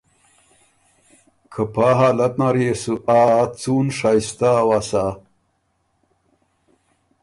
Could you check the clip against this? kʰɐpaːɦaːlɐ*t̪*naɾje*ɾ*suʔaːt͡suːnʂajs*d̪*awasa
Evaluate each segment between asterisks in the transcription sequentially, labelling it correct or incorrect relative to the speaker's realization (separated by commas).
correct, incorrect, incorrect